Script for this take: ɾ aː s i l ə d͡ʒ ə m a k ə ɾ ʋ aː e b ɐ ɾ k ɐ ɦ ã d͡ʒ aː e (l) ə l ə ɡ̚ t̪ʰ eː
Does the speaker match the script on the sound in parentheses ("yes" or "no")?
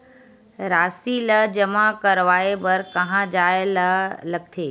yes